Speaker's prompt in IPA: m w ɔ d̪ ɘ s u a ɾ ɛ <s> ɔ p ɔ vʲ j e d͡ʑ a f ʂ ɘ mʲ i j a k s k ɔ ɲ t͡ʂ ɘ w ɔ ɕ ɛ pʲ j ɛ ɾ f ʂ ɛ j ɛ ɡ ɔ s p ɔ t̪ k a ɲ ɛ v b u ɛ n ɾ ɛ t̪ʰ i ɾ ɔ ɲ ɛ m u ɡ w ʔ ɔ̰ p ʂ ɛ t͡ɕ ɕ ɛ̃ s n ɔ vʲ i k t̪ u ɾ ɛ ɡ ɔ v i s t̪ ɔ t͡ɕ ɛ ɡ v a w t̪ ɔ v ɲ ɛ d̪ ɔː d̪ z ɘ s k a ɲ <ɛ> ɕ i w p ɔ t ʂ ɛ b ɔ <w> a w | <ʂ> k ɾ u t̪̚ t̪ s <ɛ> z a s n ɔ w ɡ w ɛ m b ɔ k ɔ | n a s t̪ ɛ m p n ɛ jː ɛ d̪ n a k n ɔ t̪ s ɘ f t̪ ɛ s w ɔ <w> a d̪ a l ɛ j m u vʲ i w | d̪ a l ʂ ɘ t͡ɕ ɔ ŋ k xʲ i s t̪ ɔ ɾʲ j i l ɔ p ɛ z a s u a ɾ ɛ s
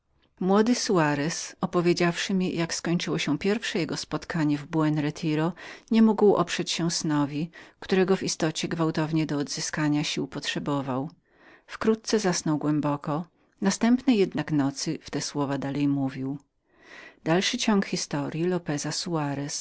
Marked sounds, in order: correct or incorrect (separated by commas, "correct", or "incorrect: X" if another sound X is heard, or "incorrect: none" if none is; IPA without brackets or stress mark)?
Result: correct, incorrect: a, incorrect: v, incorrect: f, correct, incorrect: v